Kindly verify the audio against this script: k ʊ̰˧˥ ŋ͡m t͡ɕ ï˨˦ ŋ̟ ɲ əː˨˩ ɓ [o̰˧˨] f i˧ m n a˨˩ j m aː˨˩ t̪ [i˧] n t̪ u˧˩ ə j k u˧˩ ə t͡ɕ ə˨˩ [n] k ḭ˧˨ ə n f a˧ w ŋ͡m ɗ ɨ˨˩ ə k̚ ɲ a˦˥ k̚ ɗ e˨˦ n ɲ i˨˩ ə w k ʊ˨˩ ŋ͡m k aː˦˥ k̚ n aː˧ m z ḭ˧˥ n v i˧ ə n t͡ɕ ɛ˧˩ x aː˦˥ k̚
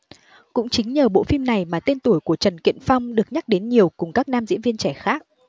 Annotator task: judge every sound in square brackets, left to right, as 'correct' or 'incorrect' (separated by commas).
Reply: correct, incorrect, correct